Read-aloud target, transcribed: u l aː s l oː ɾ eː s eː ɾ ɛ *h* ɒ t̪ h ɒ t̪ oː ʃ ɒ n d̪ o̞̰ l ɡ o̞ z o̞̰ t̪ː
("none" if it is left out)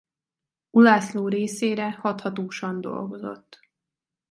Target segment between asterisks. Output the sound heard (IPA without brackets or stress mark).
h